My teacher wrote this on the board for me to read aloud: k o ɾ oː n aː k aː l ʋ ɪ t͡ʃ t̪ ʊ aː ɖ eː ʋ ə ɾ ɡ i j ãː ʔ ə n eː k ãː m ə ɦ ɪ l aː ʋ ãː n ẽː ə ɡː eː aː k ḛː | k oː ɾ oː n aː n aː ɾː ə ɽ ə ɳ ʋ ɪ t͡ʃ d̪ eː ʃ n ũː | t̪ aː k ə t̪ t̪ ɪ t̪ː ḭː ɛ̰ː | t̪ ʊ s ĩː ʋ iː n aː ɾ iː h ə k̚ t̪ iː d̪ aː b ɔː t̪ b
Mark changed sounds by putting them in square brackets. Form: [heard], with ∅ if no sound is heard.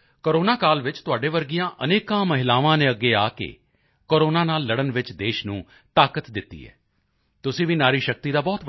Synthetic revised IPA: k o ɾ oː n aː k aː l ʋ ɪ t͡ʃ t̪ ʊ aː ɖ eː ʋ ə ɾ ɡ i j ãː ʔ ə n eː k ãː m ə ɦ ɪ l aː ʋ ãː n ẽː ə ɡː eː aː k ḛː | k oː ɾ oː n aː n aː [lː] ə ɽ ə [n] ʋ ɪ t͡ʃ d̪ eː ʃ n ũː | t̪ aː k ə t̪ [d̪] ɪ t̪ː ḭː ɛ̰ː | t̪ ʊ s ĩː ʋ iː n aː ɾ iː [ʃ] ə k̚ t̪ iː d̪ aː b ɔː t̪ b